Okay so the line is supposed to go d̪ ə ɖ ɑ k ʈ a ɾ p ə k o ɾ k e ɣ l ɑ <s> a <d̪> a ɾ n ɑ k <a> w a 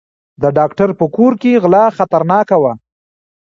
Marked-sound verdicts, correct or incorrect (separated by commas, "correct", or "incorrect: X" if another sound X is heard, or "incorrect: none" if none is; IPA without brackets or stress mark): incorrect: x, incorrect: t̪, correct